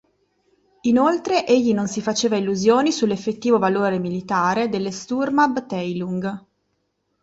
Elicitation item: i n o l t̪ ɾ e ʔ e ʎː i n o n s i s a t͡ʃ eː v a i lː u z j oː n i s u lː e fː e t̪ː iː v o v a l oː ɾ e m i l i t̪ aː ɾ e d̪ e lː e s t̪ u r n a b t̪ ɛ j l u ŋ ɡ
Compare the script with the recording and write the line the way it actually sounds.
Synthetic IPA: i n o l t̪ ɾ e ʔ e ʎː i n o n s i f a t͡ʃ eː v a i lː u z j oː n i s u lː e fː e t̪ː iː v o v a l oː ɾ e m i l i t̪ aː ɾ e d̪ e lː e s t̪ u r m a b t̪ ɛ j l u ŋ ɡ